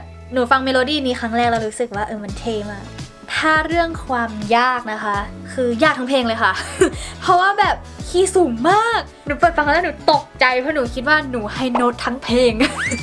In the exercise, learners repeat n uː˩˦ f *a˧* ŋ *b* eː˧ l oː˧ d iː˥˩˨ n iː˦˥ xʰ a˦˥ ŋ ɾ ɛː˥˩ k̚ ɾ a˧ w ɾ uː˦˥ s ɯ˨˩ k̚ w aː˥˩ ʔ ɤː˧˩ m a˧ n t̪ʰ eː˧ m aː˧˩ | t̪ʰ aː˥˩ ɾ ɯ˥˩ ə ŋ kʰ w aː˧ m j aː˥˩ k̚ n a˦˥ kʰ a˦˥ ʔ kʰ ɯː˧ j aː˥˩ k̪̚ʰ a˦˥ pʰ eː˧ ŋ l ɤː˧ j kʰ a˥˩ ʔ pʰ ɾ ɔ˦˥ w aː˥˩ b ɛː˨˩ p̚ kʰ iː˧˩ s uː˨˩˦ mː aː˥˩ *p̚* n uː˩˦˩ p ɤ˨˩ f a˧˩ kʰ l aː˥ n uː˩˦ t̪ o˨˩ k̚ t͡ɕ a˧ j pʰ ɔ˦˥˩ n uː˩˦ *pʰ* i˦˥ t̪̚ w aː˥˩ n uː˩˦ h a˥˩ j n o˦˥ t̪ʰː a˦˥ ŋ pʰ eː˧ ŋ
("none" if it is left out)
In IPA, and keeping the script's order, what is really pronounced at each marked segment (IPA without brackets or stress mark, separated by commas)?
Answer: a˧, m, k̚, kʰ